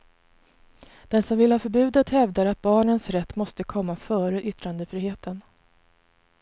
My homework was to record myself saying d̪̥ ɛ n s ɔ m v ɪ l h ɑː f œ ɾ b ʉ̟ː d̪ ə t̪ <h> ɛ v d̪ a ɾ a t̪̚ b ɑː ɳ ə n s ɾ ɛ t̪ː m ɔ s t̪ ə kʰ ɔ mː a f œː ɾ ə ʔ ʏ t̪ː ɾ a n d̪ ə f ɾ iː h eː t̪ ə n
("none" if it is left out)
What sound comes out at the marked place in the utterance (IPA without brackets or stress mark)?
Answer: h